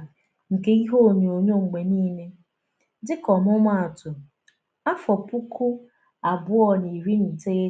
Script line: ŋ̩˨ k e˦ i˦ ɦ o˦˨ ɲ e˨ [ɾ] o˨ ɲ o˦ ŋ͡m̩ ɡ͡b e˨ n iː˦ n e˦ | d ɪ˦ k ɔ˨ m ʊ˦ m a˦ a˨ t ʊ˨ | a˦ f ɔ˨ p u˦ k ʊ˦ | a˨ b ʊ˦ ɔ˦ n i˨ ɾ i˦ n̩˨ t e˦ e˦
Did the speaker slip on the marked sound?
yes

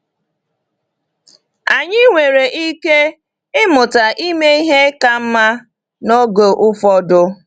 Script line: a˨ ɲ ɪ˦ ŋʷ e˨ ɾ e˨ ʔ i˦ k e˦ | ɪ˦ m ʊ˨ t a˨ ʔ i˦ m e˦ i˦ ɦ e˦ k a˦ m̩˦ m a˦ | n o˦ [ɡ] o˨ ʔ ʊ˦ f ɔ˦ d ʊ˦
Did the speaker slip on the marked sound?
no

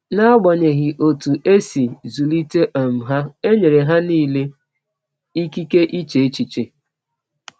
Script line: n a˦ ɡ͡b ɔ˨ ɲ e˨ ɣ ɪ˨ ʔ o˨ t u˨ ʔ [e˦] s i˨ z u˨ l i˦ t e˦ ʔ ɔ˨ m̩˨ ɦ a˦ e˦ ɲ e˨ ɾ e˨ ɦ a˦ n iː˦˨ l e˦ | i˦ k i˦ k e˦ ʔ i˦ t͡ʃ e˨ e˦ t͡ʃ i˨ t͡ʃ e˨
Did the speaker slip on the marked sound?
no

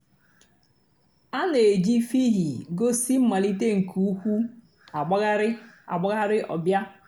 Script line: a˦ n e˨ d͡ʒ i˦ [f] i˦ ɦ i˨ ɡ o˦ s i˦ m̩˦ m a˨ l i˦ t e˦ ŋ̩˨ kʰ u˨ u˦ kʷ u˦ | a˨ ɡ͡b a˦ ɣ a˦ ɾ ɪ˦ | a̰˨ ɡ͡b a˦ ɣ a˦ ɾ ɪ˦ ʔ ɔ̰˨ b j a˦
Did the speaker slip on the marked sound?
no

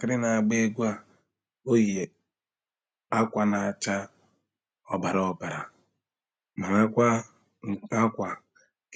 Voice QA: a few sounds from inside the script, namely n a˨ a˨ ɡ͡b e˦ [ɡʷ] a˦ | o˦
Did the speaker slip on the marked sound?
no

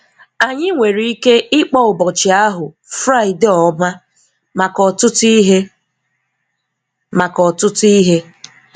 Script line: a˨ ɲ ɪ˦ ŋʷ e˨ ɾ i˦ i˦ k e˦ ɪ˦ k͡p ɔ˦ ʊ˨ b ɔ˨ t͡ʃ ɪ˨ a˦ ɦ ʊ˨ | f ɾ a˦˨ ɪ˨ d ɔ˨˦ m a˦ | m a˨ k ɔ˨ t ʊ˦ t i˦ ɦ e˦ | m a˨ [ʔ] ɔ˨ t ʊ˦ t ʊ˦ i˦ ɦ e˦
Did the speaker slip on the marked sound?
yes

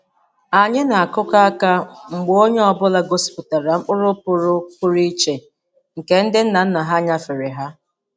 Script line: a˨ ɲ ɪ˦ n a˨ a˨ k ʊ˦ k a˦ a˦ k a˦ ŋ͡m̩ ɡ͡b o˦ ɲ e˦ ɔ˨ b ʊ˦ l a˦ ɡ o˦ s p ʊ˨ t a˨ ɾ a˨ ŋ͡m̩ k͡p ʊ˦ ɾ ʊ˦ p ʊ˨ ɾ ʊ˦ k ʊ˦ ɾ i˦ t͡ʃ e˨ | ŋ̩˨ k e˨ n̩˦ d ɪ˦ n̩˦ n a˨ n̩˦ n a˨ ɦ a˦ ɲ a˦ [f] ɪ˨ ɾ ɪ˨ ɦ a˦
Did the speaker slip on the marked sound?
no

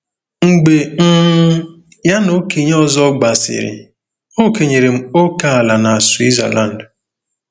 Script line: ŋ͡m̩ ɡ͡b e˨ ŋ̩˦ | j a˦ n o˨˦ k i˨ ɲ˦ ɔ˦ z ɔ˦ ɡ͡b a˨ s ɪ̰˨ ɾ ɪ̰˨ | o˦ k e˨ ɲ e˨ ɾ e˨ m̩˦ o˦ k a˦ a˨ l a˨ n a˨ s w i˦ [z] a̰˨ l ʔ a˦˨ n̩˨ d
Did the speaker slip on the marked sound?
no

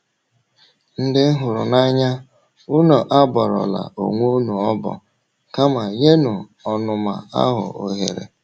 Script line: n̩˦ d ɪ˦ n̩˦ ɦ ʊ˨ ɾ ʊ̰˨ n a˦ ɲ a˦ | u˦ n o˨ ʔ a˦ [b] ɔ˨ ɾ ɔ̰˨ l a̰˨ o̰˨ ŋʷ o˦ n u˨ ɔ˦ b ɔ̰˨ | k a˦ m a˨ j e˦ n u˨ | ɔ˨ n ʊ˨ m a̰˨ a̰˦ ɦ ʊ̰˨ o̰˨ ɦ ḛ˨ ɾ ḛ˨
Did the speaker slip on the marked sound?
no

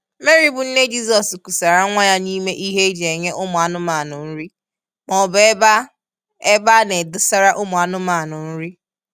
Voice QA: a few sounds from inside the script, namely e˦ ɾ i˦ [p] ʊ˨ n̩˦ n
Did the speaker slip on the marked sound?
yes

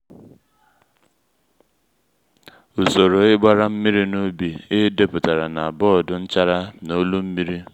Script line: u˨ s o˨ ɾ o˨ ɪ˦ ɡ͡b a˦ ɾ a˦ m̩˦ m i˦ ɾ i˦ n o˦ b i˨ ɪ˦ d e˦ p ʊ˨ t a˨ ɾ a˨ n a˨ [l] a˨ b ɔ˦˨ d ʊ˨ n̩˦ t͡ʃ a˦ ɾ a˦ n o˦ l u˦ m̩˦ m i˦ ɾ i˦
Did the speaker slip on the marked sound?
yes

